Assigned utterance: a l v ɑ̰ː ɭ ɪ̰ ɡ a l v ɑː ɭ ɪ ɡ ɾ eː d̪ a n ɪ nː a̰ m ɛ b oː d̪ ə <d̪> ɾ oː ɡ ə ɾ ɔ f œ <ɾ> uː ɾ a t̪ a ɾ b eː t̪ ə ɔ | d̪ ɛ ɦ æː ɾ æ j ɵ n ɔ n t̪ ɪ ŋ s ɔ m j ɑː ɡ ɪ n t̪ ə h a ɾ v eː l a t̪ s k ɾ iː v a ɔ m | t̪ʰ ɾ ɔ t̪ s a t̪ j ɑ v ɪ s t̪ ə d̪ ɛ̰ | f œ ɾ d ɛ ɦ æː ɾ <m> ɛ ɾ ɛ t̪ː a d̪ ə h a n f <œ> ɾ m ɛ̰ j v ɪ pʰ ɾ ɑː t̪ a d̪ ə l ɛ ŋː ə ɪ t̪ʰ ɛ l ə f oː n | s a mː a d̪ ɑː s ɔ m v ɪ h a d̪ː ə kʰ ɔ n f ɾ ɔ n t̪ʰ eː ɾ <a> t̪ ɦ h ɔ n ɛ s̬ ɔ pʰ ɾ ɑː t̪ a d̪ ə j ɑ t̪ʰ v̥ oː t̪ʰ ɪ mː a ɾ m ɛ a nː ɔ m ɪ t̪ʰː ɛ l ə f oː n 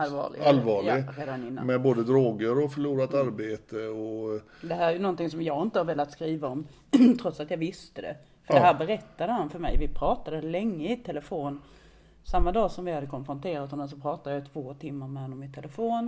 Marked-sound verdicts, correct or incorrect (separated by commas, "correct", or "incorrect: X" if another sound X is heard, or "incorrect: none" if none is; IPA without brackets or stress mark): correct, incorrect: ɭ, incorrect: b, correct, correct